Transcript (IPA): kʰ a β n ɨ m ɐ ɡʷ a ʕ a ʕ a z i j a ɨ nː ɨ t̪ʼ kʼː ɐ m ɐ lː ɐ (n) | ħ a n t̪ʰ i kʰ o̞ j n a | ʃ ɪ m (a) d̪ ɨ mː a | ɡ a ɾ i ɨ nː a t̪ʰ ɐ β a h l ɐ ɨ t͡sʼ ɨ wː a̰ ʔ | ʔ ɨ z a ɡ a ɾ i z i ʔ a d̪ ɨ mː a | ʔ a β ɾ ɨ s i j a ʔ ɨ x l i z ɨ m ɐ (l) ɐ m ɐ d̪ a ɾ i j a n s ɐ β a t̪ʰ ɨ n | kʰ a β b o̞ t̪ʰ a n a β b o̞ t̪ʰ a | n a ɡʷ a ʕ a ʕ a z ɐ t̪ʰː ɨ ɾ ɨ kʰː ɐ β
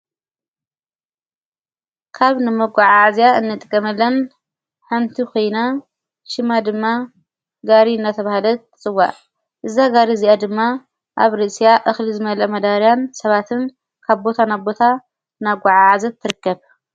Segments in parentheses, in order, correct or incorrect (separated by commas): correct, correct, correct